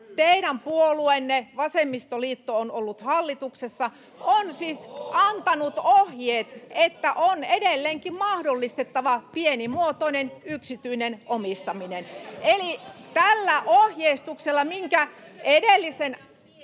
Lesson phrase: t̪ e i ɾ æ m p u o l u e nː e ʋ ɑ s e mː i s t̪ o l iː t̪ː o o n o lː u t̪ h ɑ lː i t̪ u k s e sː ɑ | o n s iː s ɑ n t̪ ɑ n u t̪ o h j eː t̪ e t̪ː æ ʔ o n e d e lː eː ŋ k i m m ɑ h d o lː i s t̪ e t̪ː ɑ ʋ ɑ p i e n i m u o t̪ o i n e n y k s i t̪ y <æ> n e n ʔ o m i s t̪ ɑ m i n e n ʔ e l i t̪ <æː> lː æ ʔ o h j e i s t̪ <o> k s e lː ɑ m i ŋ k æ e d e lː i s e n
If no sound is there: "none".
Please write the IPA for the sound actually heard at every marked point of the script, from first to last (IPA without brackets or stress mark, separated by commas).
i, æ, u